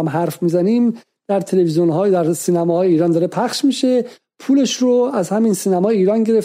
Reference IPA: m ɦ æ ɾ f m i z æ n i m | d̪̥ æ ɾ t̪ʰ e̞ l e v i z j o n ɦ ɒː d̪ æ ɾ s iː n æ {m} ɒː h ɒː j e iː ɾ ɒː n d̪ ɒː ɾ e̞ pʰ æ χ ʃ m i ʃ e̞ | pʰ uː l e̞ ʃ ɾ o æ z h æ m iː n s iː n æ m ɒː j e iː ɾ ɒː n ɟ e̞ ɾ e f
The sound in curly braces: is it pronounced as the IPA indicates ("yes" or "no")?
yes